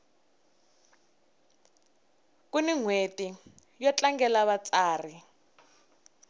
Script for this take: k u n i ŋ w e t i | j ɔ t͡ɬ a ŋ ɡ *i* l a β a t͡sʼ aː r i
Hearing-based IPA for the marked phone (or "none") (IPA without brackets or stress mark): ɛ